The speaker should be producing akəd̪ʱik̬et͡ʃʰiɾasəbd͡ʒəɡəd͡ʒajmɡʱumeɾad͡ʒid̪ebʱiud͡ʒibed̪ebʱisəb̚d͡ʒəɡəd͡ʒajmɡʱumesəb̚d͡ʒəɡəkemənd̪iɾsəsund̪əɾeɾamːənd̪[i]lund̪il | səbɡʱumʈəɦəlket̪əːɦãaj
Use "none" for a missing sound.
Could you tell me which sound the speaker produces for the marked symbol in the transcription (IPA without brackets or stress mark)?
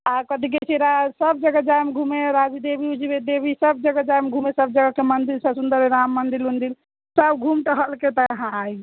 i